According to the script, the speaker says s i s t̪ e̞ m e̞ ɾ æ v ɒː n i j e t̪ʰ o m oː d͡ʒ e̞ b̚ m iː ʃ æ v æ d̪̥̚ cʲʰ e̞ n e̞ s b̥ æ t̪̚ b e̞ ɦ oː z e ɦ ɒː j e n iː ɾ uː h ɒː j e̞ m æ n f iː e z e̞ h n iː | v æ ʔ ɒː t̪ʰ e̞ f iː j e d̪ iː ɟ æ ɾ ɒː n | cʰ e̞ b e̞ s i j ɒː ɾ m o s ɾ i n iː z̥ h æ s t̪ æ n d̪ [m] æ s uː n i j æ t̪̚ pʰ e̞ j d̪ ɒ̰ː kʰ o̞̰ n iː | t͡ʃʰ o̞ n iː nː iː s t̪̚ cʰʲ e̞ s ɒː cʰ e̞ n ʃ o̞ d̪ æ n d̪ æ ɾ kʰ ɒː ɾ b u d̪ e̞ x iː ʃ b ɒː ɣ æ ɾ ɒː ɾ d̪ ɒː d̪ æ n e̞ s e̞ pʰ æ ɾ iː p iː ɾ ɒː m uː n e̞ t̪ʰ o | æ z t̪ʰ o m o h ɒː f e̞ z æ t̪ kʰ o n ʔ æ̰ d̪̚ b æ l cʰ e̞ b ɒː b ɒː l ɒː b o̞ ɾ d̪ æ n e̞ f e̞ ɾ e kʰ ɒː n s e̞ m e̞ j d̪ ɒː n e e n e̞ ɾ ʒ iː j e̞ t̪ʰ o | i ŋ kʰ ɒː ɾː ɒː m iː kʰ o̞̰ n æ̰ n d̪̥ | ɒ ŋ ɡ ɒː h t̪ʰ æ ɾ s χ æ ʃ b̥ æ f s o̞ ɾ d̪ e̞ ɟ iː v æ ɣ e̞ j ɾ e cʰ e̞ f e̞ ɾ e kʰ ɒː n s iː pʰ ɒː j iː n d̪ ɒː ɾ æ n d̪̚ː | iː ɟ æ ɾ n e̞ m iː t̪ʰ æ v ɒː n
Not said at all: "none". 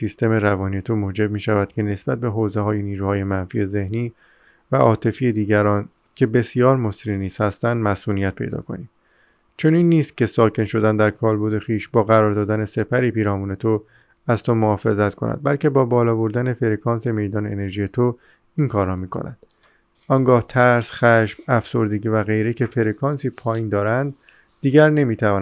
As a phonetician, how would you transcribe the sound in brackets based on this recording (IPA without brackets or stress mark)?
m